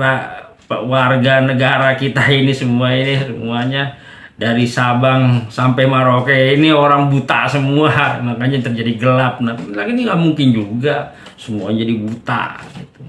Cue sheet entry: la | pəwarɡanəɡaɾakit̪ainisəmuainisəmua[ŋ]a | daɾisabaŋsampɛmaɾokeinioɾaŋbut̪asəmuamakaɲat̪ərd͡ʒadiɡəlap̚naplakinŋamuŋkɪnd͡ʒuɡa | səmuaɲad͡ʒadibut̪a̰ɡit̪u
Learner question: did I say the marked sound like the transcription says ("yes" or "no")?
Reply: no